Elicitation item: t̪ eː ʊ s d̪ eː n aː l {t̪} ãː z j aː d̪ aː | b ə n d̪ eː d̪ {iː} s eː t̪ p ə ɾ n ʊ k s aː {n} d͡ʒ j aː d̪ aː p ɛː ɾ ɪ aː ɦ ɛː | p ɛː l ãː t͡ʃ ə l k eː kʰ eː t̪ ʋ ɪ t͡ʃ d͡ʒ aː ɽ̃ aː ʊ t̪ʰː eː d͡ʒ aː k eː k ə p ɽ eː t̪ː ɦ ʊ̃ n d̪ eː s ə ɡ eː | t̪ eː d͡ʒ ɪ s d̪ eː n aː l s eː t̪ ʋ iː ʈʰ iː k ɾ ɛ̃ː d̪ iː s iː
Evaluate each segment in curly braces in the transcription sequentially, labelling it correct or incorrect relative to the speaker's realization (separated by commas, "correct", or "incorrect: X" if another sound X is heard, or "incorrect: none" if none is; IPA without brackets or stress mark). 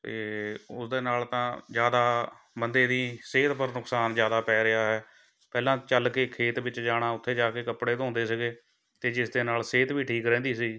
correct, correct, correct